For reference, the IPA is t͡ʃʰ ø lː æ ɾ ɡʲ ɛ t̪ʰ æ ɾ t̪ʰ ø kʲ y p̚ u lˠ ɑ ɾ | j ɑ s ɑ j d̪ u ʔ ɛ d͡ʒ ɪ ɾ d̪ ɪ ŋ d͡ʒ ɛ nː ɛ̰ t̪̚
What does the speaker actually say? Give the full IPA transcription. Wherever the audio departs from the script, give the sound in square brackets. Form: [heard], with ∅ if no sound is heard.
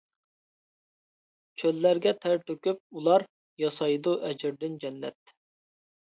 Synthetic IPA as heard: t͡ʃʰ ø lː æ ɾ ɡʲ ɛ t̪ʰ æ ɾ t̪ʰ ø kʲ y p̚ u lˠ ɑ ɾ | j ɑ s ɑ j d̪ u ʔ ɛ d͡ʒ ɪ ɾ d̪ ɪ [n] d͡ʒ ɛ nː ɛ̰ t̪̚